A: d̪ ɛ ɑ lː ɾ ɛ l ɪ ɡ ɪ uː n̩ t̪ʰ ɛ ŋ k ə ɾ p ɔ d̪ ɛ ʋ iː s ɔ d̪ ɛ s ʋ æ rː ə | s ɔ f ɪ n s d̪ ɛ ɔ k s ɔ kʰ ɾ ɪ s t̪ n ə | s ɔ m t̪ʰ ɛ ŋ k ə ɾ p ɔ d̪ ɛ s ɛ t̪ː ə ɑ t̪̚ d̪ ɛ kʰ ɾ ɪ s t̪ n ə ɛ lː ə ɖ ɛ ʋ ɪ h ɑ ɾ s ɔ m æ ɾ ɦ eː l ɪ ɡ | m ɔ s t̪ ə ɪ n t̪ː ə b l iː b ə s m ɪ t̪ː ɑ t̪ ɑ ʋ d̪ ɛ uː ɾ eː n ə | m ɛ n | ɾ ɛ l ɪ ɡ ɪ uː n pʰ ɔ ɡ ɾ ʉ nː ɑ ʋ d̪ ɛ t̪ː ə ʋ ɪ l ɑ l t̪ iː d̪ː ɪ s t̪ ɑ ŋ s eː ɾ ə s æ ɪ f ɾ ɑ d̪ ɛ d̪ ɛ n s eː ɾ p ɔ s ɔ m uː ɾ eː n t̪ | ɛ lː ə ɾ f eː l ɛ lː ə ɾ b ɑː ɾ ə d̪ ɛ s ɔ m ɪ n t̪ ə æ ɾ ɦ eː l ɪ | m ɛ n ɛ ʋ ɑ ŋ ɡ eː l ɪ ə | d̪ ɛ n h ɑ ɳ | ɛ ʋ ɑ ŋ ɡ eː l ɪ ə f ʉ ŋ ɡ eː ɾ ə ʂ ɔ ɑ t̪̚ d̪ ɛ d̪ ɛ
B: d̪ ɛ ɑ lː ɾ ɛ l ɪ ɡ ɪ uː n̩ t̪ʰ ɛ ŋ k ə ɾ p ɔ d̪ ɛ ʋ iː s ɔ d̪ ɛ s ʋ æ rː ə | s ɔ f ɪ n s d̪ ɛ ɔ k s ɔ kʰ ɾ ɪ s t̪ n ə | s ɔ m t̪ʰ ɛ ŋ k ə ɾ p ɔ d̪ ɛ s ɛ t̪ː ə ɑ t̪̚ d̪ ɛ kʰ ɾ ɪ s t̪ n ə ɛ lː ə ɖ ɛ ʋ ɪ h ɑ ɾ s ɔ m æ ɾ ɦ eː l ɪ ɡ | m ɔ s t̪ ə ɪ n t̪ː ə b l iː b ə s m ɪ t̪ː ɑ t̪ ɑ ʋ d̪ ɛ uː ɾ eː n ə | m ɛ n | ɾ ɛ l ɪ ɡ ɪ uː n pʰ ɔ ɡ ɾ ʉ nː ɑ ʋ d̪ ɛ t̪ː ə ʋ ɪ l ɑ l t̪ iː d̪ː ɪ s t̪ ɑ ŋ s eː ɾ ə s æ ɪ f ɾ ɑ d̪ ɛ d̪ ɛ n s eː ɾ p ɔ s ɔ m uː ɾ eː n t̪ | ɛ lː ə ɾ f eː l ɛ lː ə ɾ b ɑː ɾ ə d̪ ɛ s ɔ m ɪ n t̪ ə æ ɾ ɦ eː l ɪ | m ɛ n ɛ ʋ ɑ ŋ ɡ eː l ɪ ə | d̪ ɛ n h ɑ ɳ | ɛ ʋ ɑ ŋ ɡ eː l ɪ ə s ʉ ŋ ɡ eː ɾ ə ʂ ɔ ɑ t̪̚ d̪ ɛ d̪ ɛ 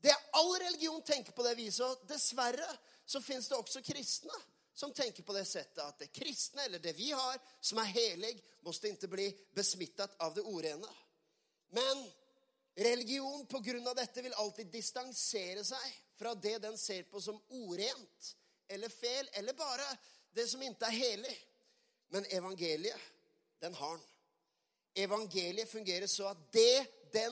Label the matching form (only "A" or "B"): A